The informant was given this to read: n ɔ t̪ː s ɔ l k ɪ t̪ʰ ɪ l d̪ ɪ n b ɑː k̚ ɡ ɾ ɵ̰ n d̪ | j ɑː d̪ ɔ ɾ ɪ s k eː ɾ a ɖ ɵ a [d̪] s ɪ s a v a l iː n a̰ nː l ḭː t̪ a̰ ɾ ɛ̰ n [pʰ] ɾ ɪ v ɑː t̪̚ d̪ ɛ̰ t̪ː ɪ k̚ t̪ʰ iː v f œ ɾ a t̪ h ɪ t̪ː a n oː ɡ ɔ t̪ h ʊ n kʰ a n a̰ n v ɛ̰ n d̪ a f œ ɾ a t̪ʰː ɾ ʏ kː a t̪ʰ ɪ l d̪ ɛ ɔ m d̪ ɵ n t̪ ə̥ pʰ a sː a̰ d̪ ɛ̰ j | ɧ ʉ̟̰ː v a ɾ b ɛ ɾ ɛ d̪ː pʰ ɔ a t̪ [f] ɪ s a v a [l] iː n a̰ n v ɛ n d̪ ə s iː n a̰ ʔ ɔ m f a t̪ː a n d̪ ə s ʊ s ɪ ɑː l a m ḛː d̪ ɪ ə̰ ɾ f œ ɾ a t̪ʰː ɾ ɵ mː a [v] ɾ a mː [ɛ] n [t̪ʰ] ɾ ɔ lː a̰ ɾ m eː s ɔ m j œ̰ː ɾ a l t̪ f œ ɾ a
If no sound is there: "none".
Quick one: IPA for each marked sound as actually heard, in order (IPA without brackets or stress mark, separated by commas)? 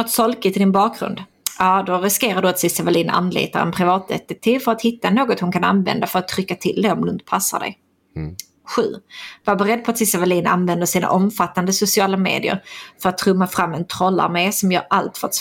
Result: t̪, pʰ, s, l, f, ɛ, t̪ʰ